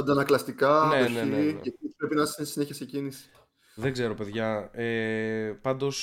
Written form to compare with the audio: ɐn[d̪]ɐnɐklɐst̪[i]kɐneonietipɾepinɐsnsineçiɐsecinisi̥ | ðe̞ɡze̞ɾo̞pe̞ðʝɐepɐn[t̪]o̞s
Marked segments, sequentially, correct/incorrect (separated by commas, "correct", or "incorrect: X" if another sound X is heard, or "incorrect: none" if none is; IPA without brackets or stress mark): correct, correct, incorrect: d̪